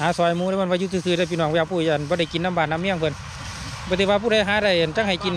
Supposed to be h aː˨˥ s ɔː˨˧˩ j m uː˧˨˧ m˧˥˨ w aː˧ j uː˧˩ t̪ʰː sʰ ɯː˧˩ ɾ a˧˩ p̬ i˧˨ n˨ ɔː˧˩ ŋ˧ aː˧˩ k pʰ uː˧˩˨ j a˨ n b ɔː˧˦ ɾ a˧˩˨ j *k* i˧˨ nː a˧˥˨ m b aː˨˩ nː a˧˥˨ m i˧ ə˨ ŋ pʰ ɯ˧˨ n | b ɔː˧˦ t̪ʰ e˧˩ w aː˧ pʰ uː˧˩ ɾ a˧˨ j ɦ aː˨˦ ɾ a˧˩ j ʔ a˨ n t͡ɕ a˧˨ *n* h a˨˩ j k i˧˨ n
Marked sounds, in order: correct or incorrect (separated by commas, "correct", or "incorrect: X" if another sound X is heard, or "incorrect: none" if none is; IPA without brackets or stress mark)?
correct, incorrect: ŋ